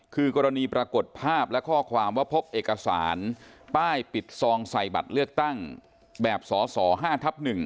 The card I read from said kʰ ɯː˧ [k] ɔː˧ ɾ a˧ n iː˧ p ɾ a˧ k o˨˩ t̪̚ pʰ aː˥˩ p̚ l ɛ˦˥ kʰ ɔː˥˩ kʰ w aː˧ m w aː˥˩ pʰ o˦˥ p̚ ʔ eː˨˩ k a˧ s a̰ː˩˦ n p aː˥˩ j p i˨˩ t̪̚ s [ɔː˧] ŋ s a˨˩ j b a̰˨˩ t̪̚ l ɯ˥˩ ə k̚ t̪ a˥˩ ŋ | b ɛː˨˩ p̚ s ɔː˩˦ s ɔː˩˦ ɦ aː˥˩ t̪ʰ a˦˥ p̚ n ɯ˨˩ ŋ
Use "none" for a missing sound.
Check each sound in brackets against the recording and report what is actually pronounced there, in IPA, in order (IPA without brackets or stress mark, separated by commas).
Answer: k, ɔː˧